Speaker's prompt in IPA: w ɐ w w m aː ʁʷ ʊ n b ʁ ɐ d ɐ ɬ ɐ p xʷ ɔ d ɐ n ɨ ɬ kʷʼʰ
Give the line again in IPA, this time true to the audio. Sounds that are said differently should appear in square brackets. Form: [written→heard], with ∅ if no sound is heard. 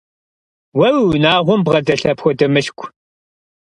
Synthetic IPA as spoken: w ɐ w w [m→n] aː ʁʷ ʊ [n→m] b ʁ ɐ d ɐ ɬ ɐ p xʷ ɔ d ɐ [n→m] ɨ ɬ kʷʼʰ

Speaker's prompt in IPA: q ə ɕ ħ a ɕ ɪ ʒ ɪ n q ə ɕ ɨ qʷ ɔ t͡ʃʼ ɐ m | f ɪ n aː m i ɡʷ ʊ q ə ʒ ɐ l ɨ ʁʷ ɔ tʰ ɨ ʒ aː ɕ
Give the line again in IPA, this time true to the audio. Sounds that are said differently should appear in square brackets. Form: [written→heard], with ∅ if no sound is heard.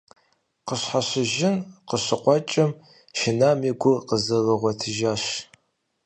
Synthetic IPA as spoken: q ə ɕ ħ a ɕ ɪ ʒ ɪ n q ə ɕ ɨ qʷ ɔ t͡ʃʼ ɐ m | [f→ʃ] ɪ n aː m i ɡʷ ʊ q ə [ʒ→z] ɐ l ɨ ʁʷ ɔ tʰ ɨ ʒ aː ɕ

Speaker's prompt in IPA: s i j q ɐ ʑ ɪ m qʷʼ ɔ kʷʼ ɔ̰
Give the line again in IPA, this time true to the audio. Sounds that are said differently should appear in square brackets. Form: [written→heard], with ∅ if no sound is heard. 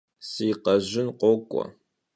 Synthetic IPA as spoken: s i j q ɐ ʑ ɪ [m→n] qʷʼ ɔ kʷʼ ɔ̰

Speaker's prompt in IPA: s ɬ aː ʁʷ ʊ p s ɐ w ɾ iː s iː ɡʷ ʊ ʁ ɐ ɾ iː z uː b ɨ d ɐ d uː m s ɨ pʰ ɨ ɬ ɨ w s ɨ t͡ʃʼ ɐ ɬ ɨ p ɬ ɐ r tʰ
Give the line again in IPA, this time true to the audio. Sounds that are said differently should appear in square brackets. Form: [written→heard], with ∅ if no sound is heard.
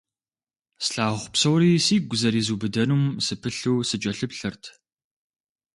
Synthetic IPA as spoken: s ɬ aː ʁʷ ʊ p s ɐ w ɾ iː s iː ɡʷ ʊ [ʁ→z] ɐ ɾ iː z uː b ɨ d ɐ [d→n] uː m s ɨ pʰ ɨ ɬ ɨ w s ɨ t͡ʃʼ ɐ ɬ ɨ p ɬ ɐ r tʰ

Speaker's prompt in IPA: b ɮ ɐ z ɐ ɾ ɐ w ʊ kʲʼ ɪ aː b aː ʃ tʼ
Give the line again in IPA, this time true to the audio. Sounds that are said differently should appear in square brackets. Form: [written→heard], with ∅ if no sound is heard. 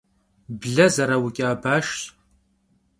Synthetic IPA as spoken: b ɮ ɐ z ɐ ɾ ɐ w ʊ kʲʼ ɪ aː b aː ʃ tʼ

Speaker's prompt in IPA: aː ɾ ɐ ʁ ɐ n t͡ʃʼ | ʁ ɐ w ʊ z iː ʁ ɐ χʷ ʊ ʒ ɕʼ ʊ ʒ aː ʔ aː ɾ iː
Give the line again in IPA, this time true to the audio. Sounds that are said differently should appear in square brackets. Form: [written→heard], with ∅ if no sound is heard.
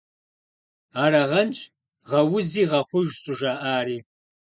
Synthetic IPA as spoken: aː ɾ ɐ ʁ ɐ n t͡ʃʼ | ʁ ɐ w ʊ z iː ʁ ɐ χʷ ʊ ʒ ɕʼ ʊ ʒ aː ʔ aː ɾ iː

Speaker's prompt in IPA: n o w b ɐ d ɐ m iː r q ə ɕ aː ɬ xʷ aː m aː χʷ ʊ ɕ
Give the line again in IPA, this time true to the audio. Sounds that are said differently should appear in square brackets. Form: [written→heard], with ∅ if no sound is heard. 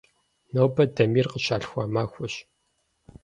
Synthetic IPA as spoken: n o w b ɐ d ɐ m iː r q ə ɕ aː ɬ xʷ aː m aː [χʷ→xʷ] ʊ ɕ

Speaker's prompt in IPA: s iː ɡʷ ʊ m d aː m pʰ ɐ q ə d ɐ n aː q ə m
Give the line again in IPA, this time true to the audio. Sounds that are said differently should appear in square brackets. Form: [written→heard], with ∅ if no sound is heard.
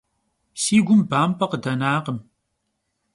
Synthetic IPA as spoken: s iː ɡʷ ʊ m [d→b] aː m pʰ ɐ q ə d ɐ n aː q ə m

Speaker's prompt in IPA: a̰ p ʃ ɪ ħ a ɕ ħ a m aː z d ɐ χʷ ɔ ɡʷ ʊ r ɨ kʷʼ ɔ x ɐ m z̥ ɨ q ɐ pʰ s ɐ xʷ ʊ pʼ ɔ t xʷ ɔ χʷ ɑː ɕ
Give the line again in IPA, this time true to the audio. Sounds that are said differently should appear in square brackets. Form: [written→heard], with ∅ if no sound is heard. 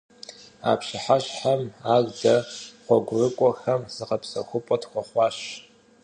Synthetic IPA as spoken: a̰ p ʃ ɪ ħ a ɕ ħ a m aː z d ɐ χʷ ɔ ɡʷ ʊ r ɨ kʷʼ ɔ x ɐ m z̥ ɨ q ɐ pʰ s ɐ xʷ ʊ pʼ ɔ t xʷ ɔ χʷ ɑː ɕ

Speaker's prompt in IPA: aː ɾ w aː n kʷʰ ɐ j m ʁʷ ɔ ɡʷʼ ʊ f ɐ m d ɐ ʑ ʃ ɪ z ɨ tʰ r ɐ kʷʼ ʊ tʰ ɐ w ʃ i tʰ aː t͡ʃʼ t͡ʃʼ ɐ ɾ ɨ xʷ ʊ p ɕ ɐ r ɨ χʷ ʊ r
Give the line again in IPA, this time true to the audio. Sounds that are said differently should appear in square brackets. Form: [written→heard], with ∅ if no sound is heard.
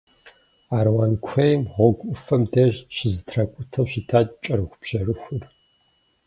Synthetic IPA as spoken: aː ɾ w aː n kʷʰ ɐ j m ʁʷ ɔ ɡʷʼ ʊ f ɐ m d ɐ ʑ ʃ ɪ z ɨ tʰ r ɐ kʷʼ ʊ tʰ ɐ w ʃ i tʰ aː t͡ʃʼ t͡ʃʼ ɐ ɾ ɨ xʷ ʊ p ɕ ɐ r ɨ [χʷ→xʷ] ʊ r

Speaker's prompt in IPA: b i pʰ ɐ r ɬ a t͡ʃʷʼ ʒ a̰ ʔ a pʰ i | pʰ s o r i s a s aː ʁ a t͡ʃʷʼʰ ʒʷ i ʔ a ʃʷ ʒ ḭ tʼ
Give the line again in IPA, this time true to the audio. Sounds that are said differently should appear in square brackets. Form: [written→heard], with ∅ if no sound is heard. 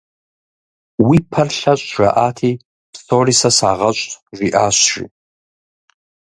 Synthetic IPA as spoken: [b→w] i pʰ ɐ r ɬ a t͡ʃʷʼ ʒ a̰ ʔ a [pʰ→tʰ] i | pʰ s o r i s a s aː ʁ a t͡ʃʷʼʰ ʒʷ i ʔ a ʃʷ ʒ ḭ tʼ

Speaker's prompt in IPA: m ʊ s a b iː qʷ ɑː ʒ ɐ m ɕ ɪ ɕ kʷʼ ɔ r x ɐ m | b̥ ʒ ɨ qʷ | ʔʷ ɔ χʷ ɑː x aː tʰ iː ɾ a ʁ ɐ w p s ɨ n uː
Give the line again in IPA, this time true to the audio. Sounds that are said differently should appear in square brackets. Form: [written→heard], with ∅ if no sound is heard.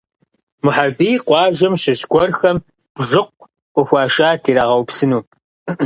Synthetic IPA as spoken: m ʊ [s→ħ] a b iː qʷ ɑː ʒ ɐ m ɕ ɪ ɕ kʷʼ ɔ r x ɐ m | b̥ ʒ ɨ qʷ | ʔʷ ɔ [χʷ→xʷ] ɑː [x→ʃ] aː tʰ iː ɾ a ʁ ɐ w p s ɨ n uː

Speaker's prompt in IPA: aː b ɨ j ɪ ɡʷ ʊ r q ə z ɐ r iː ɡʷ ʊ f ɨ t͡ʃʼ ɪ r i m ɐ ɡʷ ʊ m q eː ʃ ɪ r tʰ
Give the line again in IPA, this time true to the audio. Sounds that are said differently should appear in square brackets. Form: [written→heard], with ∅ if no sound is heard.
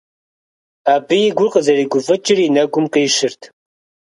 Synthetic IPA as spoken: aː b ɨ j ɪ ɡʷ ʊ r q ə z ɐ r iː ɡʷ ʊ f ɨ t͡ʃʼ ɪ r i [m→n] ɐ ɡʷ ʊ m q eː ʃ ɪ r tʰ

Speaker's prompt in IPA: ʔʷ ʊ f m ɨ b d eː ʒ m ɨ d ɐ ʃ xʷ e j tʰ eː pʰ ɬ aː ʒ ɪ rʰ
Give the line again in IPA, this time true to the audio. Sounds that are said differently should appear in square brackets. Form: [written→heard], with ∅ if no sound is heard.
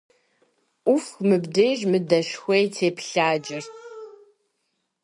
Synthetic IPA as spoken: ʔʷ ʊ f m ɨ b d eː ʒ m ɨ d ɐ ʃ xʷ e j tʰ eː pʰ ɬ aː [ʒ→d͡ʒ] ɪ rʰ

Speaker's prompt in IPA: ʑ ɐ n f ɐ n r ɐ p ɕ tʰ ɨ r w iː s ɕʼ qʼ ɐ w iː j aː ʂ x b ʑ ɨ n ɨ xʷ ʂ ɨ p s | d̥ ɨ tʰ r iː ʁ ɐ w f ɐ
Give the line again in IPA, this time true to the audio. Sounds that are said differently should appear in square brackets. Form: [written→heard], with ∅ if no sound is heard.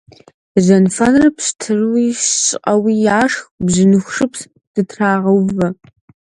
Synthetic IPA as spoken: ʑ ɐ n f ɐ n r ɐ p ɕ tʰ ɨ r w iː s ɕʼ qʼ ɐ w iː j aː ʂ x b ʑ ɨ n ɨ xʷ ʂ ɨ p s | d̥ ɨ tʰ r [iː→aː] ʁ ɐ w [f→v] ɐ

